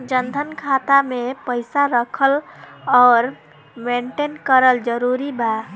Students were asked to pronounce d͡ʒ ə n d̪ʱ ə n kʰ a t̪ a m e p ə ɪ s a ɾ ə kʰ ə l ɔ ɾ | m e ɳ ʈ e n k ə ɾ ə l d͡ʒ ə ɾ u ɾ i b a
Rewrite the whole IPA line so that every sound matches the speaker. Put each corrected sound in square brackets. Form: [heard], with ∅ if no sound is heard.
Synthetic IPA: d͡ʒ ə n d̪ʱ ə n kʰ a t̪ a m e p ə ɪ s a ɾ ə kʰ ə l ɔ ɾ | m e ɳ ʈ e n k ə ɾ ə l d͡ʒ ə ɾ u ɾ i b a

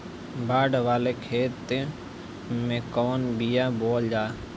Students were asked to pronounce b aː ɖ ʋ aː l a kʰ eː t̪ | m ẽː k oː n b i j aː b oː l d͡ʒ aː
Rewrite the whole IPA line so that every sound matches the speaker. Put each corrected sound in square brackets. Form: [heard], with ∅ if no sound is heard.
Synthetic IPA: b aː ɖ ʋ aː l [e] kʰ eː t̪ | m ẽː k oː n b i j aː b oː l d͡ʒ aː

